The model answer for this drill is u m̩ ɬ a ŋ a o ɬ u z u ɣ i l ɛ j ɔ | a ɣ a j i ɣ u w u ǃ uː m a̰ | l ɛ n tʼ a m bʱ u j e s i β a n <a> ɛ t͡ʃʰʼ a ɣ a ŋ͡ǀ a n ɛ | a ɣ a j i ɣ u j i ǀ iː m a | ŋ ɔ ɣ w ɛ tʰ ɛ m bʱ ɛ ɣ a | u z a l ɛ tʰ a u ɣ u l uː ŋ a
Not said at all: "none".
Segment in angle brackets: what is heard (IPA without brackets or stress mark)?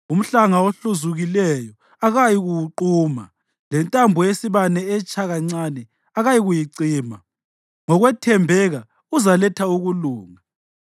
ɛ